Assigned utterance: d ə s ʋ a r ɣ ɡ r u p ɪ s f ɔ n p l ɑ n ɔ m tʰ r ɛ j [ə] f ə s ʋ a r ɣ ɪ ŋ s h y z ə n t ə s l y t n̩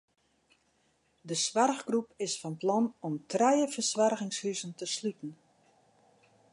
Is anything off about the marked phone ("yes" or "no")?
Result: no